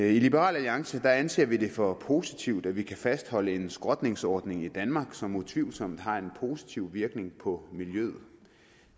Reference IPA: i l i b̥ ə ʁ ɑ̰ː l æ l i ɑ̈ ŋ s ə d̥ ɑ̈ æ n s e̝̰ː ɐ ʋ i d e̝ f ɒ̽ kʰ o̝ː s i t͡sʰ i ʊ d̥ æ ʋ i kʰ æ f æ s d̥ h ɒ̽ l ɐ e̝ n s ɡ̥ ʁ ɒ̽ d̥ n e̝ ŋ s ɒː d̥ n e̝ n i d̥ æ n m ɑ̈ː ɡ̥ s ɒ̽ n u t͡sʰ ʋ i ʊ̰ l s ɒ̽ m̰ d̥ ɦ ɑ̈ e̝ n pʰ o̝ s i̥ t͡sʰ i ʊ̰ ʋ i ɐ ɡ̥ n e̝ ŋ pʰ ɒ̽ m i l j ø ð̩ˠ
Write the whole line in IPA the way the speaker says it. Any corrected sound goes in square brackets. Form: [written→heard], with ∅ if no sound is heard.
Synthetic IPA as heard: i l i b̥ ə ʁ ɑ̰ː l æ l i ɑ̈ ŋ s ə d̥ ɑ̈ æ n s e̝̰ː ɐ ʋ i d e̝ f ɒ̽ [kʰ→pʰ] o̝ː s i t͡sʰ i ʊ d̥ æ ʋ i kʰ æ f æ s d̥ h ɒ̽ l [ɐ→ə] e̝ n s ɡ̥ ʁ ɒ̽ d̥ n e̝ ŋ s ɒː d̥ n e̝ [n→ŋ] i d̥ æ n m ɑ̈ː ɡ̥ s ɒ̽ [n→m] u t͡sʰ ʋ i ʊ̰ l s ɒ̽ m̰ d̥ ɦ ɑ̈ e̝ n pʰ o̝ s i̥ t͡sʰ i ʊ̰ ʋ i ɐ ɡ̥ n e̝ ŋ pʰ ɒ̽ m i l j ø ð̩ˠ